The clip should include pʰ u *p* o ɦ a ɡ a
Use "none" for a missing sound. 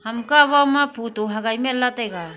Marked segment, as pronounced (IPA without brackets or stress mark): t